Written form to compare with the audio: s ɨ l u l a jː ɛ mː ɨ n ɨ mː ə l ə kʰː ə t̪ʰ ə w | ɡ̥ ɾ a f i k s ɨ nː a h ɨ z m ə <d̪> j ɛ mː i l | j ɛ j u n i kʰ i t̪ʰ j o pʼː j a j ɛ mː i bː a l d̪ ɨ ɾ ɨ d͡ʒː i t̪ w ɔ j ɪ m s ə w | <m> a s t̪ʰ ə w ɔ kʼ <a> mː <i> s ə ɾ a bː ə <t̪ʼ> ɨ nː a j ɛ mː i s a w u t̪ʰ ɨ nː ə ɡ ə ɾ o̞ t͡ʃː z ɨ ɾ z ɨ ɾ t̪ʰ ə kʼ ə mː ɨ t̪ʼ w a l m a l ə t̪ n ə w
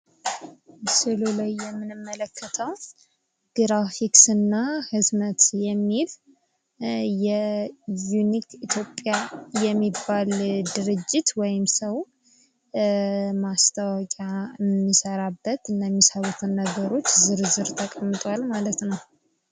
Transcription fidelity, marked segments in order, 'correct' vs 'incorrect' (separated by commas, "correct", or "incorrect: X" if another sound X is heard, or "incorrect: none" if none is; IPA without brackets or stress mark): incorrect: t̪, correct, correct, correct, incorrect: t̪